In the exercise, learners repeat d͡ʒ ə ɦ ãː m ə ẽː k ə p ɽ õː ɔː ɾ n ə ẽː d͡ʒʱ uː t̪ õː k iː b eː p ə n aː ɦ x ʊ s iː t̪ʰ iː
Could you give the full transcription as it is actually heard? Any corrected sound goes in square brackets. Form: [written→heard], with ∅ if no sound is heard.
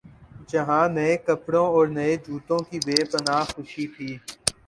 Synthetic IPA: d͡ʒ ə ɦ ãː [m→n] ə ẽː k ə p ɽ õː ɔː ɾ n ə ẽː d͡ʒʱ uː t̪ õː k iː b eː p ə n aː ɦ x ʊ [s→ʃ] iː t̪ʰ iː